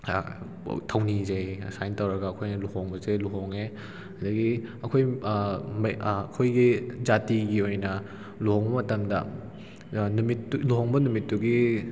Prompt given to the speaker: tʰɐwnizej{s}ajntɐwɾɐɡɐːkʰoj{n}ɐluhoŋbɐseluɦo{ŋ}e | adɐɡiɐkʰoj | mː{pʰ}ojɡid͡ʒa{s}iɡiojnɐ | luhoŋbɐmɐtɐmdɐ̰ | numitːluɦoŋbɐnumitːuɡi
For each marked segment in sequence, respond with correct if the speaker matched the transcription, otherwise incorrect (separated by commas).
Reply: correct, correct, correct, incorrect, incorrect